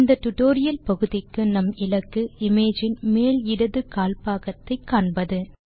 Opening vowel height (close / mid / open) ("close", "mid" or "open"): open